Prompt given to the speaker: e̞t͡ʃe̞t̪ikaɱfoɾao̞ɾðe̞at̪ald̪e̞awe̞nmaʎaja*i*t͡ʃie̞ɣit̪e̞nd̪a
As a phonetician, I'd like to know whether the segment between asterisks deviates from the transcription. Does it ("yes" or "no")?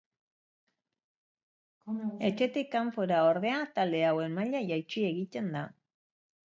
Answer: yes